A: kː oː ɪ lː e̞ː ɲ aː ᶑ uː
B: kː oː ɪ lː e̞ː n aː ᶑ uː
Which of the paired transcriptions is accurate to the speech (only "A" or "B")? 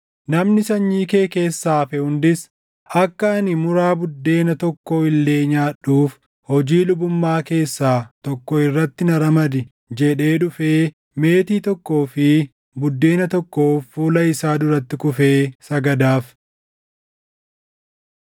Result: A